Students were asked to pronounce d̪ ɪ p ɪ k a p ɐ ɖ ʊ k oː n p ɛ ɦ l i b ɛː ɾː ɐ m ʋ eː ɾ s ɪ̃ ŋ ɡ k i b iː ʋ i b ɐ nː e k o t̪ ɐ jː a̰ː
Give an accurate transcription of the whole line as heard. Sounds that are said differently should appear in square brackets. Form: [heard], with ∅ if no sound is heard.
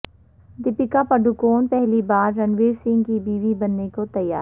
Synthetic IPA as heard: d̪ ɪ p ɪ k a p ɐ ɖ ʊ k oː n p ɛ ɦ l i b [aː] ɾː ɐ [n] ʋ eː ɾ s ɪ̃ ŋ ɡ k i b iː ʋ i b ɐ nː e k o t̪ ɐ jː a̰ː